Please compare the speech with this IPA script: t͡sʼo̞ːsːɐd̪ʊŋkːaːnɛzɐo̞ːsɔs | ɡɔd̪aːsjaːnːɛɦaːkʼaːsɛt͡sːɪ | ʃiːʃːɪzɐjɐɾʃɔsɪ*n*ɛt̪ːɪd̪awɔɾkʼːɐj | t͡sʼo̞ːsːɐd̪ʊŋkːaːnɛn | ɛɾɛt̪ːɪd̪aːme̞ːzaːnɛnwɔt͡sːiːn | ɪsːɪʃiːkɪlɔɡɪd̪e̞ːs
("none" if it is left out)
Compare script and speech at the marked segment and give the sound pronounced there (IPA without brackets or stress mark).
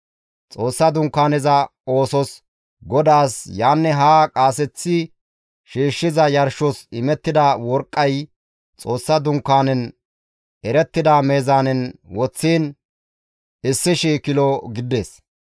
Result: m